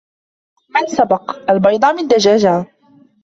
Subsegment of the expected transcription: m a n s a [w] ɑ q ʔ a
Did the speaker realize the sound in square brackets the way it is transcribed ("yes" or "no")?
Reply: no